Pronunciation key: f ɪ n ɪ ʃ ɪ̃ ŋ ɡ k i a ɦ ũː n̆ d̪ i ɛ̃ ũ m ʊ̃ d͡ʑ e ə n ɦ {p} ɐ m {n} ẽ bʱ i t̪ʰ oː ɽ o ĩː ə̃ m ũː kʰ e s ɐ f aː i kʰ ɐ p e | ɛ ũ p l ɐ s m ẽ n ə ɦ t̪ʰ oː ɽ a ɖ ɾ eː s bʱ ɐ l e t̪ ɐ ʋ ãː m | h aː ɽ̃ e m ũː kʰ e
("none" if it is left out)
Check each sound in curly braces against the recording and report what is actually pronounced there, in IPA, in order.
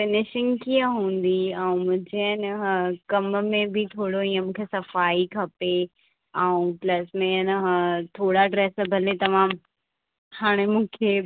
k, m

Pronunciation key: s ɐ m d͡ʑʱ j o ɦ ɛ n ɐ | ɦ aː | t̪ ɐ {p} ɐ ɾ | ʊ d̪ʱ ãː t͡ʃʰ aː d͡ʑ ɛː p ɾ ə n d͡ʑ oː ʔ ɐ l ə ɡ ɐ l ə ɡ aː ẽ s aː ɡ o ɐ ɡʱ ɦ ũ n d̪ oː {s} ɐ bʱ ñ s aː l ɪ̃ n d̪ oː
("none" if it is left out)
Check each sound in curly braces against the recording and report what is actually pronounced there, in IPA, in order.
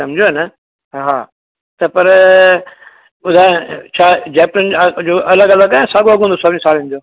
p, s

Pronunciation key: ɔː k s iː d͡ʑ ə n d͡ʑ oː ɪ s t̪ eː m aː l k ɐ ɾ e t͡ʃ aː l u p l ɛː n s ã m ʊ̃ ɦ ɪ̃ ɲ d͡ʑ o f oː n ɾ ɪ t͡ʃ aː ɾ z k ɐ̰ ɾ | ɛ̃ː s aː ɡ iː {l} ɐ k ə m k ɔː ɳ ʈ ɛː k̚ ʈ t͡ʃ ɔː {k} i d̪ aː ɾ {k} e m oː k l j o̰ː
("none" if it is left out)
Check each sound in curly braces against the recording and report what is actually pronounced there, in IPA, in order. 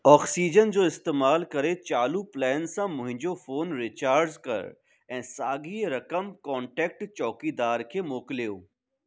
ɾ, k, kʰ

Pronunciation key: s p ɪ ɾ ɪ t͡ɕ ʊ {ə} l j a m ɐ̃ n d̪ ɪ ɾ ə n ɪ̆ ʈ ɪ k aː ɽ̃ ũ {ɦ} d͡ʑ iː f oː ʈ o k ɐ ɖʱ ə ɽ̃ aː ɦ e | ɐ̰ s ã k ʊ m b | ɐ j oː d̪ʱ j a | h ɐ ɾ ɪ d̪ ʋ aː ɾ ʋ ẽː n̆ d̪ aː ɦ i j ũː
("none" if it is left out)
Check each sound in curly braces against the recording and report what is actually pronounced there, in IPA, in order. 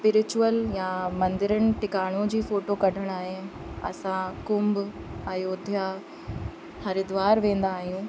ə, none

